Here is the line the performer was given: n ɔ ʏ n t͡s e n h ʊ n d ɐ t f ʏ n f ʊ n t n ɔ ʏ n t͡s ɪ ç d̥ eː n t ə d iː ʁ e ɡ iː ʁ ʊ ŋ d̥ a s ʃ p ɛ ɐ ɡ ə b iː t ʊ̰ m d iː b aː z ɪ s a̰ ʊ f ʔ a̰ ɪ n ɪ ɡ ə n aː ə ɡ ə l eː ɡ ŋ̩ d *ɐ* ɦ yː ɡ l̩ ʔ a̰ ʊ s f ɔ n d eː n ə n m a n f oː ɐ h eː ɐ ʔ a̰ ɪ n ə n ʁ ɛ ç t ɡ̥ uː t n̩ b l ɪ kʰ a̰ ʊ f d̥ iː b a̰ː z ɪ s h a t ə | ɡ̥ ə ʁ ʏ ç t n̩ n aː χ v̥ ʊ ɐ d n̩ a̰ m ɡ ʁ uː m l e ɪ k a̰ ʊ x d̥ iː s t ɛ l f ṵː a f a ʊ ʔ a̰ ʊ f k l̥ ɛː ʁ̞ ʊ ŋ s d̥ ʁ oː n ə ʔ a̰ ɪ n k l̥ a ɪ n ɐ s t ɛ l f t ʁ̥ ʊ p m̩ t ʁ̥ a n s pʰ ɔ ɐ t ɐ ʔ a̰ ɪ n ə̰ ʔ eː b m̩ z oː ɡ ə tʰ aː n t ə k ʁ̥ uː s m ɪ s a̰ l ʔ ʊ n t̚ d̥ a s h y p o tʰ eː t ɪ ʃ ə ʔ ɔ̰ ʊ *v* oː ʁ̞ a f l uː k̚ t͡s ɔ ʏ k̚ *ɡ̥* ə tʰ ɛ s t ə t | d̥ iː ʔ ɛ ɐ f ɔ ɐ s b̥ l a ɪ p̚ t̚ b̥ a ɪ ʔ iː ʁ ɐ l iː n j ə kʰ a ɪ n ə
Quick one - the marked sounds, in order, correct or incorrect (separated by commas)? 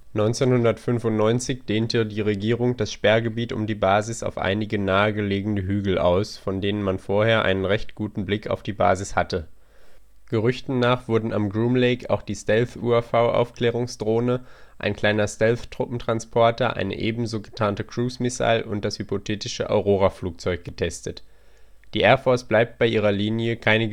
incorrect, incorrect, correct